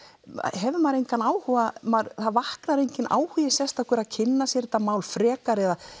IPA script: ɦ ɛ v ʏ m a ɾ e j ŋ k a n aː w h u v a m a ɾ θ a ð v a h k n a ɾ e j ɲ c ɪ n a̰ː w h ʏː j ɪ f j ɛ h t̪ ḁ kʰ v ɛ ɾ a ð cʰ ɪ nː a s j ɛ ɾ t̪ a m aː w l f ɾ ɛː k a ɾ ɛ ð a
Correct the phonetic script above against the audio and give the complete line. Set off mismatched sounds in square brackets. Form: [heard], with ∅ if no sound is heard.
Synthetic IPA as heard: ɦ ɛ v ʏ m a ɾ e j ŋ k a n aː w h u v a m a ɾ θ a ð v a h k n a ɾ e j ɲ c ɪ n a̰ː w h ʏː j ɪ [s] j ɛ [s] t̪ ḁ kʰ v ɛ ɾ a ð cʰ ɪ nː a s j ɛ ɾ t̪ a m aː w l f ɾ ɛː k a ɾ ɛ ð a